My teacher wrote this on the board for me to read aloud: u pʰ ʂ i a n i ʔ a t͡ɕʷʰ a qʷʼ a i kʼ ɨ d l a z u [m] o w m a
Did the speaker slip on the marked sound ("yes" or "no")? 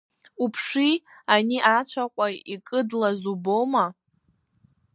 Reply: yes